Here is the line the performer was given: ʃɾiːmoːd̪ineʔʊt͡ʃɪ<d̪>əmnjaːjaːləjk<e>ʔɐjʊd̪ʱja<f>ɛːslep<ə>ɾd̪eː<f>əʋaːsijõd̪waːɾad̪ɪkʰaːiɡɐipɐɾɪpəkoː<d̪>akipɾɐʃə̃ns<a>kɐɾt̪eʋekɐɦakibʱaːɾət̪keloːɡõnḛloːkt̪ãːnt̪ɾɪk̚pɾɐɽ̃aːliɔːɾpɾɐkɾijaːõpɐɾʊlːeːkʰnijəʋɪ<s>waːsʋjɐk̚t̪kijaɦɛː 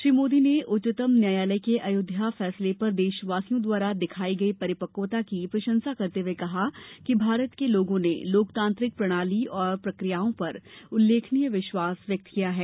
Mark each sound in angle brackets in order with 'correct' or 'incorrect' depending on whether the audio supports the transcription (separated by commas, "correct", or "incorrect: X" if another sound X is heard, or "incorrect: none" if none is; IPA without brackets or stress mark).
incorrect: t̪, correct, correct, incorrect: ɐ, incorrect: ʃ, incorrect: t̪, correct, incorrect: ʃ